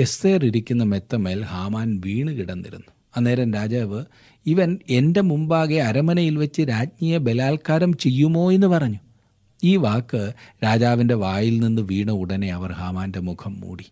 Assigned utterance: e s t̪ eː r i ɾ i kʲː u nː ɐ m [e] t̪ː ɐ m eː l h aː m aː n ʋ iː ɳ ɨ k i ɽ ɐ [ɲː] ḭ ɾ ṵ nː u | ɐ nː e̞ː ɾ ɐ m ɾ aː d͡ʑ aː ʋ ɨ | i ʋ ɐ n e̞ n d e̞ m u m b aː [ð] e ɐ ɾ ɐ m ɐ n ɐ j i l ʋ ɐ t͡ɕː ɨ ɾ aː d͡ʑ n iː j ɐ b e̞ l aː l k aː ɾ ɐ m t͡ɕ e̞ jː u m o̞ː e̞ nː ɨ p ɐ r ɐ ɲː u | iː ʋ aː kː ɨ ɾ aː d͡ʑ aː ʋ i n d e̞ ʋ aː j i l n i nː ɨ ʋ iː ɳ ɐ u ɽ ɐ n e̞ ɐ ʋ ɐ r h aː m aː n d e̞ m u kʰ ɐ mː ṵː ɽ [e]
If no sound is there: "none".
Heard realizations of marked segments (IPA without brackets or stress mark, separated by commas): e, nː, ɣ, i